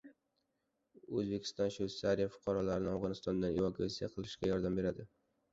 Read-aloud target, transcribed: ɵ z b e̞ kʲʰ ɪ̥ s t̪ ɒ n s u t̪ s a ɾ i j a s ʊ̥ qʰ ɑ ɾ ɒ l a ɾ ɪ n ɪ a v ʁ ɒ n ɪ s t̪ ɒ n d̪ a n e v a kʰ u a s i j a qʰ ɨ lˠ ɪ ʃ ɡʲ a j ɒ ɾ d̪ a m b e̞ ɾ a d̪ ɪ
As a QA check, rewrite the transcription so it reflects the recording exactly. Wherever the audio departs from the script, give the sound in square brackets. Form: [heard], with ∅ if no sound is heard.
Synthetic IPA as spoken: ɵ z b e̞ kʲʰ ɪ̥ s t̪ ɒ n [ʃ] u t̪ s a ɾ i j a [f] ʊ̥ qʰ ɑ ɾ ɒ l a ɾ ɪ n ɪ a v ʁ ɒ n ɪ s t̪ ɒ n d̪ a n e v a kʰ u a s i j a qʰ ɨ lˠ ɪ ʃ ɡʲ a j ɒ ɾ d̪ a m b e̞ ɾ a d̪ ɪ

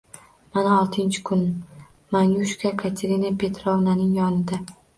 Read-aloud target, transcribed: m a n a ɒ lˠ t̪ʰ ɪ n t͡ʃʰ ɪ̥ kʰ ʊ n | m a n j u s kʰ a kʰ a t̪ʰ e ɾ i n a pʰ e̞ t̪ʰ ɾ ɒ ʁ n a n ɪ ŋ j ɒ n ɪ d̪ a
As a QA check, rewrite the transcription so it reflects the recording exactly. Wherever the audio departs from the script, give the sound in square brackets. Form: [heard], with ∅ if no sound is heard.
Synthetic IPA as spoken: m a n a ɒ lˠ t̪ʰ ɪ n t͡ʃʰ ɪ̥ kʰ ʊ n | m a n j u [ʃ] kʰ a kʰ a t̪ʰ e ɾ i n a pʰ e̞ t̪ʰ ɾ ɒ [v] n a n ɪ ŋ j ɒ n ɪ d̪ a

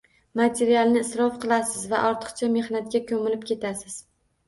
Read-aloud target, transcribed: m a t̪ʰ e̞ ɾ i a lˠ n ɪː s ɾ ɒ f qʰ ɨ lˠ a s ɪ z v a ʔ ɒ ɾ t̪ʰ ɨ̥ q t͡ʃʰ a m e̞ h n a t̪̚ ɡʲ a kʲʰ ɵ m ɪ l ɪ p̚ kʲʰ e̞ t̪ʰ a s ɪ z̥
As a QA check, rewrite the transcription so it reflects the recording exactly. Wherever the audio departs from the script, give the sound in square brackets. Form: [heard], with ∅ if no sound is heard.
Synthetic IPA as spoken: m a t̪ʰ e̞ ɾ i a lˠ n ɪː s ɾ ɒ f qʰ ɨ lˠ a s ɪ z v a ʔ ɒ ɾ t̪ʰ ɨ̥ q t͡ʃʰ a m e̞ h n a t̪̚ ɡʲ a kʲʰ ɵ m ɪ l ɪ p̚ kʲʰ e̞ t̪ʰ a s ɪ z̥

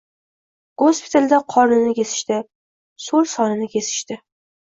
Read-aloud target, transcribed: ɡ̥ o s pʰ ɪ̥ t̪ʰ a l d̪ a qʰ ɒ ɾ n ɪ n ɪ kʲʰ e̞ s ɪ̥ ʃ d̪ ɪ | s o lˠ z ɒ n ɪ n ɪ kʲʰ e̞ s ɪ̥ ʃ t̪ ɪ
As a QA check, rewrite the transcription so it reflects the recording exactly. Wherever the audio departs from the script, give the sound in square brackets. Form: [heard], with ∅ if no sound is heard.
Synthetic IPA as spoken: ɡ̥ o s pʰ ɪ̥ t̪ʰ a l d̪ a qʰ ɒ ɾ n ɪ n ɪ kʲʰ e̞ s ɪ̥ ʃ [t̪] ɪ | s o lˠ [s] ɒ n ɪ n ɪ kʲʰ e̞ s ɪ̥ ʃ t̪ ɪ

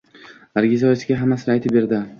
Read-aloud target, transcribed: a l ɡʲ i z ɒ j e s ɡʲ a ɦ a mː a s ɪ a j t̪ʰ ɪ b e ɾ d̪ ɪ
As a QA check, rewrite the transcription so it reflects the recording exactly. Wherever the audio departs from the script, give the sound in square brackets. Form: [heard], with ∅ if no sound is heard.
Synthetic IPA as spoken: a [ɾ] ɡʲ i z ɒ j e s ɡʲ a ɦ a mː a s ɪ a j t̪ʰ ɪ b e ɾ d̪ ɪ

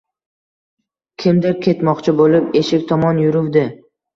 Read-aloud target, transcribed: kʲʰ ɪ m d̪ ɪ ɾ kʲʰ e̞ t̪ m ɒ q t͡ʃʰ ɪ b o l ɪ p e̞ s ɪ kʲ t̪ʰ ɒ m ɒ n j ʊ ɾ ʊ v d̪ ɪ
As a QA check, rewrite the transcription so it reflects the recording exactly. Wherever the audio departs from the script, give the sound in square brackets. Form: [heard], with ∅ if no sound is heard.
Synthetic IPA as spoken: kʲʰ ɪ m d̪ ɪ ɾ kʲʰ e̞ t̪ m ɒ q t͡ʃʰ ɪ b o l ɪ p e̞ [ʃ] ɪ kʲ t̪ʰ ɒ m ɒ n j ʊ ɾ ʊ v d̪ ɪ

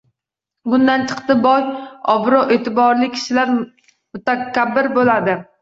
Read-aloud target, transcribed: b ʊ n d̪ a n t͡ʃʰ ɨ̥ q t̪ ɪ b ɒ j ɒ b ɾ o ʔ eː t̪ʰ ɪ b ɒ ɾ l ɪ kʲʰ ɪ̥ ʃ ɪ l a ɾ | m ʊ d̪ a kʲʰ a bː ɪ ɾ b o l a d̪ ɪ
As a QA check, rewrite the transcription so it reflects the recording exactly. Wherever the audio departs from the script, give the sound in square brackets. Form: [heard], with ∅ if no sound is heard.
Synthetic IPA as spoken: b ʊ n d̪ a n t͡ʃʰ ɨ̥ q t̪ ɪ b ɒ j ɒ b ɾ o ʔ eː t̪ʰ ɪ b ɒ ɾ l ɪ kʲʰ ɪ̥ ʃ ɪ l a ɾ | m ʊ [t̪] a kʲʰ a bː ɪ ɾ b o l a d̪ ɪ

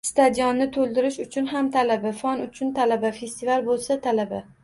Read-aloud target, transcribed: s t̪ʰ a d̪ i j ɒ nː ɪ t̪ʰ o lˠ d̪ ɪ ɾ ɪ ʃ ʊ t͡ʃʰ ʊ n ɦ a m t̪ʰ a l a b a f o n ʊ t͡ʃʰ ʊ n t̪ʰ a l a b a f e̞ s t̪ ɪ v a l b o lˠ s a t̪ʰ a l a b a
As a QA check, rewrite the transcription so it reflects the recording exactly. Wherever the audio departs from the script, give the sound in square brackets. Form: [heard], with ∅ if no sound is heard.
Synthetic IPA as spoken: s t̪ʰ a d̪ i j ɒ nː ɪ t̪ʰ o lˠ d̪ ɪ ɾ ɪ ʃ ʊ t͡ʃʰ ʊ n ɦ a m t̪ʰ a l a b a f [ɒ] n ʊ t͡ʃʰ ʊ n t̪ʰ a l a b a f e̞ s t̪ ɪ v a l b o lˠ s a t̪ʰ a l a b a

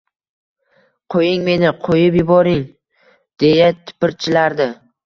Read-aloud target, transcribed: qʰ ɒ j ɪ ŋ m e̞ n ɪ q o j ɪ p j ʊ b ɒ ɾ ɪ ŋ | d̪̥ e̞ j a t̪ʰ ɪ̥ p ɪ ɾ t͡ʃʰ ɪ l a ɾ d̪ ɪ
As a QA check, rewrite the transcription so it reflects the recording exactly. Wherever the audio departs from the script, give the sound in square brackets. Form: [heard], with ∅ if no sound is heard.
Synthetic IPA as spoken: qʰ [o] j ɪ ŋ m e̞ n ɪ [qʰ] o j ɪ p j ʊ b ɒ ɾ ɪ ŋ | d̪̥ e̞ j a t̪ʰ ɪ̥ p ɪ ɾ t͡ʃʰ ɪ l a ɾ d̪ ɪ

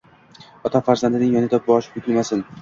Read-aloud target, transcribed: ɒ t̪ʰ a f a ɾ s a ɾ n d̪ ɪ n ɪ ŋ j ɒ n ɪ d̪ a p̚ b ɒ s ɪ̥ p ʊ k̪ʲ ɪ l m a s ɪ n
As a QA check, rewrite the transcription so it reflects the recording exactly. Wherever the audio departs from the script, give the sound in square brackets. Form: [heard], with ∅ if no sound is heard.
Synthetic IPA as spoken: ɒ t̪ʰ a f a ɾ [z] a [∅] n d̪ ɪ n ɪ ŋ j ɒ n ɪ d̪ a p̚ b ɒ [ʃ] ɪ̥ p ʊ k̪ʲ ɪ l m a s ɪ n

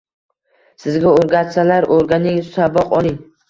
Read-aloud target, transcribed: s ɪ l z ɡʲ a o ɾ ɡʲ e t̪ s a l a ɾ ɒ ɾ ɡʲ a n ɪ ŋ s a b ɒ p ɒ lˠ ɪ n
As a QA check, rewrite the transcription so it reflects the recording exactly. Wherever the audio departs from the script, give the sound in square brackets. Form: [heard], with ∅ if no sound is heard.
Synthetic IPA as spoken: s ɪ [∅] z ɡʲ a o ɾ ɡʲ [a] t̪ s a l a ɾ [o] ɾ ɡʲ a n ɪ ŋ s a b ɒ [q] ɒ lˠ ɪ [ŋ]

